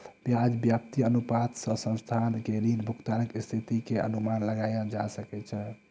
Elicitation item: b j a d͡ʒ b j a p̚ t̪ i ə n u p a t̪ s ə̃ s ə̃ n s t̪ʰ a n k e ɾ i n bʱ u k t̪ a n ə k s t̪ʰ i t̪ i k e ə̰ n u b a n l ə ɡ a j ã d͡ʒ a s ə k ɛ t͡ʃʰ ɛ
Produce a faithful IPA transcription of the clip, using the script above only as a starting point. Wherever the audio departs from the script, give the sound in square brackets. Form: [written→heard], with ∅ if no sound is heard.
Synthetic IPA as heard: b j a d͡ʒ b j a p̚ t̪ i ə n u p a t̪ s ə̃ s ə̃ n s t̪ʰ a n k e ɾ i n bʱ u k t̪ a n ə k s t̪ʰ i t̪ i k e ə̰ n u [b→m] a n l ə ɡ a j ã d͡ʒ a s ə k ɛ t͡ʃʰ ɛ

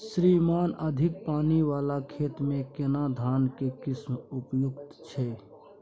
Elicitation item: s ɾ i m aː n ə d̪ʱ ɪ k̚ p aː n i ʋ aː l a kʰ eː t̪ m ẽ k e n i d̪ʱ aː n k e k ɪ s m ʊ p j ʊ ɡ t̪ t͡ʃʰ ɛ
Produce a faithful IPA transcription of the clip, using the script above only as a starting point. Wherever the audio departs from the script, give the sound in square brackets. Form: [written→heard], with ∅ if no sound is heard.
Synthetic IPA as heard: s ɾ i m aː n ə d̪ʱ ɪ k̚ p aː n i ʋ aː l a kʰ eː t̪ m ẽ k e n [i→a] d̪ʱ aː n k e k ɪ s m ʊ p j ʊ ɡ t̪ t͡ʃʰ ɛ

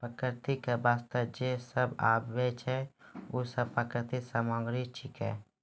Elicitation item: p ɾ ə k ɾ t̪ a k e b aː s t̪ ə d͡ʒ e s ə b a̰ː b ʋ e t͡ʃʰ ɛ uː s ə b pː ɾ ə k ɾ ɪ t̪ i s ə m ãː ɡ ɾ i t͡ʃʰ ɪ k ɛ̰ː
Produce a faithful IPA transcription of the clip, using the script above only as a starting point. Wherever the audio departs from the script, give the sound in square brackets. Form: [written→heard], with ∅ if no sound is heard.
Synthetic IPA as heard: p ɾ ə k ɾ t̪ [a→i] k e b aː s t̪ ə d͡ʒ e s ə b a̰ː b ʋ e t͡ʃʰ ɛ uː s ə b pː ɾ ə k ɾ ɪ t̪ i s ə m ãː ɡ ɾ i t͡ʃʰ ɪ k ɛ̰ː

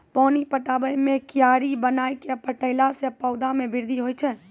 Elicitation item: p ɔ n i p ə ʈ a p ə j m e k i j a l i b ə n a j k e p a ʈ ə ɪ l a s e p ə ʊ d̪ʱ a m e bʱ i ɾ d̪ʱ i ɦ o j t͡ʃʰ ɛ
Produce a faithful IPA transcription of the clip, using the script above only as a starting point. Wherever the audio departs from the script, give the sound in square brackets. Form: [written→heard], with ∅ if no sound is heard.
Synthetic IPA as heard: p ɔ n i p ə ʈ a [p→b] ə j m e k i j a [l→ɾ] i b ə n a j k e p [a→ə] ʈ ə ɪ l a s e p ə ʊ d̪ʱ a m e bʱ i ɾ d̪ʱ i ɦ o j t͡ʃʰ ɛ

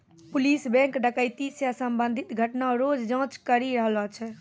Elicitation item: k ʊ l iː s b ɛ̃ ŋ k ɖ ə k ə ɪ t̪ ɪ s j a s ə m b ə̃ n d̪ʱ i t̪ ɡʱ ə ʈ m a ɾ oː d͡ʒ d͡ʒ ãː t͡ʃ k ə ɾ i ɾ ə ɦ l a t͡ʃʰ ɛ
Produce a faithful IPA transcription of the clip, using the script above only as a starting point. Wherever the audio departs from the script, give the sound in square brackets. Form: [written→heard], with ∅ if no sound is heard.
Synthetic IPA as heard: [k→p] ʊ l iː s b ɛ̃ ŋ k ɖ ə k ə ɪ t̪ [ɪ→i] s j a s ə m b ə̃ n d̪ʱ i t̪ ɡʱ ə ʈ [m→n] a ɾ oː d͡ʒ d͡ʒ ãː t͡ʃ k ə ɾ i ɾ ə ɦ l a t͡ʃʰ ɛ

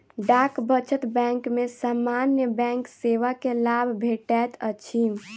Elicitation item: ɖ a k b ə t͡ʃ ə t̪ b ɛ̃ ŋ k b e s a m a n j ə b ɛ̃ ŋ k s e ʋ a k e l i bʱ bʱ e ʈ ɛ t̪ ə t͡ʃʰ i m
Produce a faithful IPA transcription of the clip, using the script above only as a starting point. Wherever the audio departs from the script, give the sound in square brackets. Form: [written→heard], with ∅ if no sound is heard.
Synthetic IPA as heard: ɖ a k b ə t͡ʃ ə t̪ b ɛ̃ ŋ k [b→m] e s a m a n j ə b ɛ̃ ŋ k s e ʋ a k e l [i→a] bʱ bʱ e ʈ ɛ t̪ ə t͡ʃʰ i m

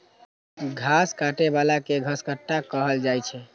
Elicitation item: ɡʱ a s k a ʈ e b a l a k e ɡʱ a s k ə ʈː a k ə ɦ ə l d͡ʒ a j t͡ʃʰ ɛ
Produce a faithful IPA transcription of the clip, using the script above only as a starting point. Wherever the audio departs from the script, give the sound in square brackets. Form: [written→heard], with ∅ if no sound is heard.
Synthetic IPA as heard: ɡʱ a s k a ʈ e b a l a k e ɡʱ [a→ə] s k ə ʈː a k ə ɦ ə l d͡ʒ a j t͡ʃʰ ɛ

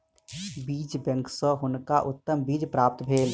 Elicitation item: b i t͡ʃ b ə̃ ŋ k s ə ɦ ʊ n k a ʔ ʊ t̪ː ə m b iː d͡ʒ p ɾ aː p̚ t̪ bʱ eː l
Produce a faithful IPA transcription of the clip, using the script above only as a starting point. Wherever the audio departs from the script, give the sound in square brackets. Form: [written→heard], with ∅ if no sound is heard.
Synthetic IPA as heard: b [i→iː] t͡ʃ b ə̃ ŋ k s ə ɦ ʊ n k a ʔ ʊ t̪ː ə m b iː d͡ʒ p ɾ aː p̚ t̪ bʱ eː l

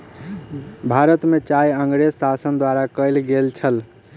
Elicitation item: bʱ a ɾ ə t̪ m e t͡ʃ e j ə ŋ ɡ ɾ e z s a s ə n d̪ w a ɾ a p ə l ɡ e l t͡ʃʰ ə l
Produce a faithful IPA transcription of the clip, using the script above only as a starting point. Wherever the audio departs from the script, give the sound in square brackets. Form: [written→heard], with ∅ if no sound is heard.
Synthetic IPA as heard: bʱ a ɾ ə t̪ m e t͡ʃ [e→a] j ə ŋ ɡ ɾ e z s a s ə n d̪ w a ɾ a [p→k] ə l ɡ e l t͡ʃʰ ə l

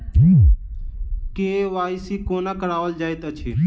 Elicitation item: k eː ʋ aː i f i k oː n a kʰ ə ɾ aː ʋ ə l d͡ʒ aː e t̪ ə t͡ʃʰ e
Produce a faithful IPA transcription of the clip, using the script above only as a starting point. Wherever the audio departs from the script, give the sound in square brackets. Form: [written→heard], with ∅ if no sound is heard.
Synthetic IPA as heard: k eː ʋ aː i [f→s] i k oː n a [kʰ→k] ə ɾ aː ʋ ə l d͡ʒ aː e t̪ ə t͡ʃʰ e

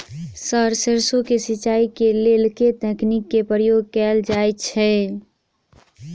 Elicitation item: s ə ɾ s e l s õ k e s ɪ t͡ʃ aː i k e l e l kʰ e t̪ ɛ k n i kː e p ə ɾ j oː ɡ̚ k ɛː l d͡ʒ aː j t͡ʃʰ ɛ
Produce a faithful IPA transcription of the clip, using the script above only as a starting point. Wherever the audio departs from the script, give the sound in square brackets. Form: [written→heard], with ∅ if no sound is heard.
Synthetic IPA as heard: s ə ɾ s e [l→ɾ] s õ k e s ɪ t͡ʃ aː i k e l e l [kʰ→k] e t̪ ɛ k n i kː e p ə ɾ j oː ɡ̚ k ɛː l d͡ʒ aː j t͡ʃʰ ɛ

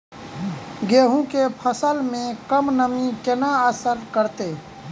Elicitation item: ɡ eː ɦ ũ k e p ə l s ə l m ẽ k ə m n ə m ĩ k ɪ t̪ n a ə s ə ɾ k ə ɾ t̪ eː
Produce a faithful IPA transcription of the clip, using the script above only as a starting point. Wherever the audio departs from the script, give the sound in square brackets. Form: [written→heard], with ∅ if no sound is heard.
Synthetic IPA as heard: ɡ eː ɦ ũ k e [p→pʰ] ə [l→∅] s ə l m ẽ k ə m n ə m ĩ k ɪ [t̪→∅] n a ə s ə ɾ k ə ɾ t̪ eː

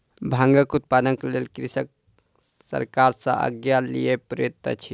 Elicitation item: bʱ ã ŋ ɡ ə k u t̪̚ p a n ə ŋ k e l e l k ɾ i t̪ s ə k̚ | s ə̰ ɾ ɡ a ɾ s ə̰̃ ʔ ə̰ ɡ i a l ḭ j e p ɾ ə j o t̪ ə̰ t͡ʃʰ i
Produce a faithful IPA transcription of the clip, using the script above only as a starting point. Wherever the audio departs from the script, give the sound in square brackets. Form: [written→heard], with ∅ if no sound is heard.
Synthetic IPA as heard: bʱ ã ŋ ɡ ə k u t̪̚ p a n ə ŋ k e l e l k ɾ i [t̪→∅] s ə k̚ | s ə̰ ɾ [ɡ→k] a ɾ s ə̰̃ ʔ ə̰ ɡ [i→j] a l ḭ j e p ɾ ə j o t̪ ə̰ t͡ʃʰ i

